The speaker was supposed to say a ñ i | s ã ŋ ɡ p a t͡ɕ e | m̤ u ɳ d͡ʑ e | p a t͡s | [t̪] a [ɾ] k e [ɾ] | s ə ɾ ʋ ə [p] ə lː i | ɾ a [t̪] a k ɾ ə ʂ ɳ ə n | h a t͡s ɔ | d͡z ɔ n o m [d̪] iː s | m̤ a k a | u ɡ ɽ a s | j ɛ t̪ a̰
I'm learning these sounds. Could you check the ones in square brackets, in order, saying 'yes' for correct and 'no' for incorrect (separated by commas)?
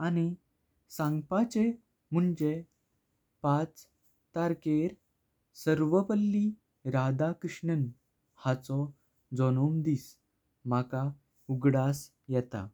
yes, yes, yes, yes, no, yes